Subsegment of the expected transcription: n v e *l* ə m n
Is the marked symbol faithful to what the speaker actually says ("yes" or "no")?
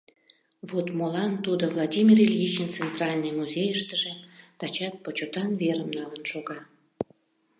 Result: no